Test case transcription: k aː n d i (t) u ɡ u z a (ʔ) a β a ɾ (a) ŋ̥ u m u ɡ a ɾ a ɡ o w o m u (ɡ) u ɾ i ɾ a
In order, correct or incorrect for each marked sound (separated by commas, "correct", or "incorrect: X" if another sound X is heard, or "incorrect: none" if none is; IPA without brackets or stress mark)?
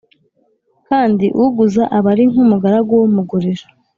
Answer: incorrect: ʔ, correct, incorrect: i, correct